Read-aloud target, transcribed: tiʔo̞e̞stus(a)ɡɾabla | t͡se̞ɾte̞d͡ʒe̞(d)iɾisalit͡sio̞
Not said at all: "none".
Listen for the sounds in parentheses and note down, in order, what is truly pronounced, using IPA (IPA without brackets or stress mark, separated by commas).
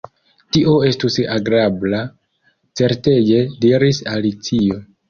a, d